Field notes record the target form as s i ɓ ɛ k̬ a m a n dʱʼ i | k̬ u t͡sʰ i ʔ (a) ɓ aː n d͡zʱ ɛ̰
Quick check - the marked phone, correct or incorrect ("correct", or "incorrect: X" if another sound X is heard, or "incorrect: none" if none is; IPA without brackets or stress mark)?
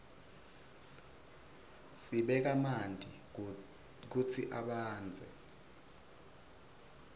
correct